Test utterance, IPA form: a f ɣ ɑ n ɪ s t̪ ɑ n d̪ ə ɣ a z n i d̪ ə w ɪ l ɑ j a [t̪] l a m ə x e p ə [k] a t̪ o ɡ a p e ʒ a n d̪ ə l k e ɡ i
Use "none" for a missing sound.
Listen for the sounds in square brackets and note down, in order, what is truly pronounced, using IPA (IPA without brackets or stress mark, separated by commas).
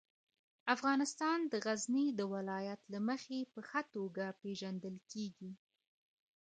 t̪, x